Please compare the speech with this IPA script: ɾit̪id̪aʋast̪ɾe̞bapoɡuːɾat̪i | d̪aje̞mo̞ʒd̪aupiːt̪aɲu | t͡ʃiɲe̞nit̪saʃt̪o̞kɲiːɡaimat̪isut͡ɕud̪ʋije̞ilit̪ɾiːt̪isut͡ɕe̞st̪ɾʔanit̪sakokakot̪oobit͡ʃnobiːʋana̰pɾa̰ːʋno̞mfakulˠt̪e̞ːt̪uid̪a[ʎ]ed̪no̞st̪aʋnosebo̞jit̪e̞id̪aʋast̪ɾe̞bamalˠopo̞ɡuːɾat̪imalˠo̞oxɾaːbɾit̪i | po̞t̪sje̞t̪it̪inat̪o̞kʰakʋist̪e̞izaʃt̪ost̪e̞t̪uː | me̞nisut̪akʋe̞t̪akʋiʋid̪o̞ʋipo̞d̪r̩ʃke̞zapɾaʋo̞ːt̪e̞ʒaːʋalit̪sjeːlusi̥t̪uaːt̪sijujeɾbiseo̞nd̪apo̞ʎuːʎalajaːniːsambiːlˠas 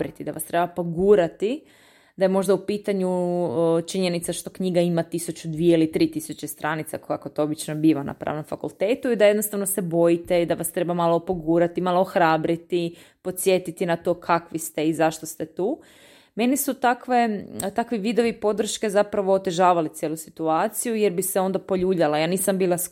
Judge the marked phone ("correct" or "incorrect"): incorrect